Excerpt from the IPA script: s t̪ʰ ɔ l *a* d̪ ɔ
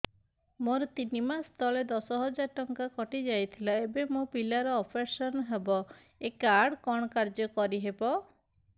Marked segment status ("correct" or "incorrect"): incorrect